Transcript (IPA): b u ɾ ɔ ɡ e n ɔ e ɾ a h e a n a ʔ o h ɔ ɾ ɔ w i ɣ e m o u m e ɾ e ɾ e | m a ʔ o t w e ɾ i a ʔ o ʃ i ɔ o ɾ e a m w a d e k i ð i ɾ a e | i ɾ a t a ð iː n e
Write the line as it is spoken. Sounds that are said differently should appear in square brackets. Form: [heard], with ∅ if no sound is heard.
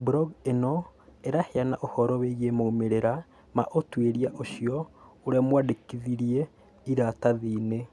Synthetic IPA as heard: b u ɾ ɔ ɡ e n ɔ e ɾ a h e a n a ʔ o h ɔ ɾ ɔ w [e] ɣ e m o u m e ɾ e ɾ [a] | m a ʔ o t w e ɾ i a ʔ o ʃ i ɔ o ɾ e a m w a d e k i ð i ɾ [i] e | i ɾ a t a ð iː n e